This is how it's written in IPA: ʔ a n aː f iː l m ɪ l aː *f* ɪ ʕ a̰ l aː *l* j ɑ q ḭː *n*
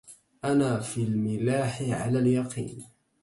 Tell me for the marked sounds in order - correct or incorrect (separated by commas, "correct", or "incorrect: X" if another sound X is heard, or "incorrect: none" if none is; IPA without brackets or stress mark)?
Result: incorrect: ħ, correct, correct